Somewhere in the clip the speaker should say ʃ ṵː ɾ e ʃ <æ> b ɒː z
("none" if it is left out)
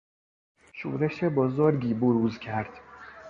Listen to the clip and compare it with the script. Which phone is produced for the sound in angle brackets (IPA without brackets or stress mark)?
e